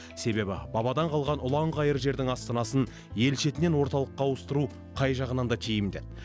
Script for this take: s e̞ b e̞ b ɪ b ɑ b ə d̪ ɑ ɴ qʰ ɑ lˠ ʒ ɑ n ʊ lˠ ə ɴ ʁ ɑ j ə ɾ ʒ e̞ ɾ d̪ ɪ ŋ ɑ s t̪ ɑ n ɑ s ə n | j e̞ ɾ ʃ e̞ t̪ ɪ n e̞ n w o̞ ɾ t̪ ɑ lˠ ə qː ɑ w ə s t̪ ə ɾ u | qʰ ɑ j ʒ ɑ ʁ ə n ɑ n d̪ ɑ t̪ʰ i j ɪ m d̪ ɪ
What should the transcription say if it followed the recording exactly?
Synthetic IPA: s e̞ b e̞ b ɪ b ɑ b ɑ d̪ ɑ ɴ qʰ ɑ lˠ ʁ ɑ n ʊ lˠ ɑ ɴ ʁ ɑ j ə ɾ ʒ e̞ ɾ d̪ ɪ ŋ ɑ s t̪ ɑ n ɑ s ə n | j e̞ l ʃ e̞ t̪ ɪ n e̞ n w o̞ ɾ t̪ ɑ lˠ ə qː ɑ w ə s t̪ ə ɾ u | qʰ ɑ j ʒ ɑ ʁ ə n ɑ n d̪ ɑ t̪ʰ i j ɪ m d̪ ɪ